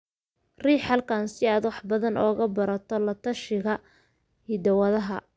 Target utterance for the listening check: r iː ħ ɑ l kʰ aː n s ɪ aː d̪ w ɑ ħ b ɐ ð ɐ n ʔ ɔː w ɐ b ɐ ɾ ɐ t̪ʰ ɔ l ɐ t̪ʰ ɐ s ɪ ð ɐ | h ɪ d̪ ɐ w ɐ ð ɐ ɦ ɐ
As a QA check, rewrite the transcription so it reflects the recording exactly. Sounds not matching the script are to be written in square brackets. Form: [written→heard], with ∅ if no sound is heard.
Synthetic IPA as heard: r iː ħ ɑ l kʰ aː n s ɪ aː d̪ w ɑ ħ b ɐ ð ɐ n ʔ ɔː [w→ɣ] ɐ b ɐ ɾ ɐ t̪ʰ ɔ l ɐ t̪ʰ ɐ [s→ʃ] ɪ [ð→ɣ] ɐ | h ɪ d̪ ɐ w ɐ ð ɐ ɦ ɐ